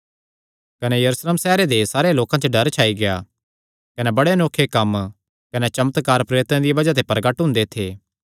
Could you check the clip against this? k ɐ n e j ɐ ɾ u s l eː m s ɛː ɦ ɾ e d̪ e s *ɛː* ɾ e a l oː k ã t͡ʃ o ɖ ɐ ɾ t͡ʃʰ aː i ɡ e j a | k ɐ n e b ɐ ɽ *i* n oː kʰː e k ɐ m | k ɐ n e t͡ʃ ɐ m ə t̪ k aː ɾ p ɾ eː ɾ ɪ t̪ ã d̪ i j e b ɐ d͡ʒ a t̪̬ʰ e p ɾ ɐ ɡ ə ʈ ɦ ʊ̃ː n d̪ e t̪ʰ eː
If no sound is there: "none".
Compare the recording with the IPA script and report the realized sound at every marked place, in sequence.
aː, e

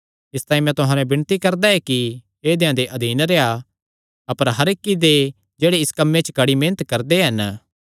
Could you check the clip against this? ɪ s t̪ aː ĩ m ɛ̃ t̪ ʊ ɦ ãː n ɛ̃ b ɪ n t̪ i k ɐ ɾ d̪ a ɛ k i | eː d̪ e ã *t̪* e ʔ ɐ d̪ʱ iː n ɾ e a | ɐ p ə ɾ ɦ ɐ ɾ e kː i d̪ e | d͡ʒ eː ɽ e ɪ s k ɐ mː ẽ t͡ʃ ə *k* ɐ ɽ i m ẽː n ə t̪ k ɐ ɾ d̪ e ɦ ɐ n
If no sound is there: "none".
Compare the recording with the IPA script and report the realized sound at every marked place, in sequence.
d̪, k

